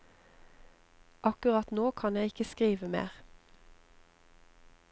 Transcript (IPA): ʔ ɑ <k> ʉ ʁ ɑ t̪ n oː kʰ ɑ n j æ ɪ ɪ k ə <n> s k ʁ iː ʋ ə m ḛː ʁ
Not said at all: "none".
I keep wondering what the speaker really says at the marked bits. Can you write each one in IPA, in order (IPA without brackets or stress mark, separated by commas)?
k, none